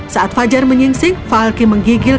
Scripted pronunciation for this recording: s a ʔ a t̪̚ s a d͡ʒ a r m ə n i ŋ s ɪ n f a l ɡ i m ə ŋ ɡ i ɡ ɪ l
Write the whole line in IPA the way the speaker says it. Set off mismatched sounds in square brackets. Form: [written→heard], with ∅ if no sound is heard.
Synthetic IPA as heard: s a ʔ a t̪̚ [s→f] a d͡ʒ a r m ə [n→ɲ] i ŋ s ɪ [n→ŋ] f a l [ɡ→k] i m ə ŋ ɡ i ɡ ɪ l

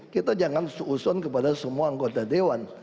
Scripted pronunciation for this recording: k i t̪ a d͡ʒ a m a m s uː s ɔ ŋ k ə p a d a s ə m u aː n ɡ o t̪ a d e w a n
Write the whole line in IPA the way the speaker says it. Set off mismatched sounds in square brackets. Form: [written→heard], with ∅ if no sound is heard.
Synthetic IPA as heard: k i t̪ a d͡ʒ a [m→ŋ] a [m→n] s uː s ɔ [ŋ→n] k ə p a d a s ə m u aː [n→ŋ] ɡ o t̪ a d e w a n

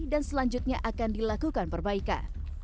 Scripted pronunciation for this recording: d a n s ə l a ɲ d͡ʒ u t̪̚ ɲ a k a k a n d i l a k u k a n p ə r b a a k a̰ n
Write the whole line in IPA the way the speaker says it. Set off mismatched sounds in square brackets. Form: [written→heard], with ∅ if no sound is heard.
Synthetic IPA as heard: d a n s ə l a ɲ d͡ʒ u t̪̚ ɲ a [k→ʔ] a k a n d i l a k u k a n p ə r b a [a→i] k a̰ n

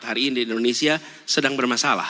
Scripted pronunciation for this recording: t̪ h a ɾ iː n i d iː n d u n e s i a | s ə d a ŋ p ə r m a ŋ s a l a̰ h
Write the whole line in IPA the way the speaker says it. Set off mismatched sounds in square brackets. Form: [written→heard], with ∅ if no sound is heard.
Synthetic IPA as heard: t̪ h a ɾ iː n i d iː n d [u→o] n e s i a | s ə d a ŋ [p→b] ə r m a [ŋ→∅] s a l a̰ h

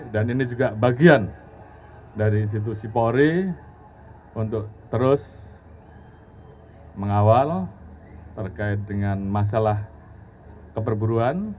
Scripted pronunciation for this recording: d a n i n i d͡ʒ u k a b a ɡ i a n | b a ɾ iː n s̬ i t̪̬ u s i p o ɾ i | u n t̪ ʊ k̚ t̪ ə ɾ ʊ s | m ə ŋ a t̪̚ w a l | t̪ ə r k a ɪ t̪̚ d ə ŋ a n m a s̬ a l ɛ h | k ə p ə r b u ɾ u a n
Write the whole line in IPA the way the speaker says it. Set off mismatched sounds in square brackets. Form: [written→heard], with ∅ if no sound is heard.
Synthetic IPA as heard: d a n i n i d͡ʒ u [k→ɡ] a b a ɡ i a n | [b→d] a ɾ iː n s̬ i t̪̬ u s i p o ɾ i | u n t̪ ʊ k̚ t̪ ə ɾ ʊ s | m ə ŋ a [t̪̚→∅] w a l | t̪ ə r k a ɪ t̪̚ d ə ŋ a n m a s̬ a l [ɛ→a] h | k ə p ə r b u ɾ u a n

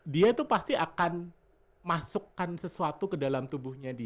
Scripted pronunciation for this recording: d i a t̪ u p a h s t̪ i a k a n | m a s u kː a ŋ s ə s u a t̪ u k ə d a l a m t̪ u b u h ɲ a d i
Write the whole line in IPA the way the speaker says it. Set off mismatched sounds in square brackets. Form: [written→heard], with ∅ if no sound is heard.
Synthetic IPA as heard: d i a t̪ u p a [h→∅] s t̪ i a k a n | m a s u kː a [ŋ→n] s ə s u a t̪ u k ə d a l a m t̪ u b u h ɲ a d i

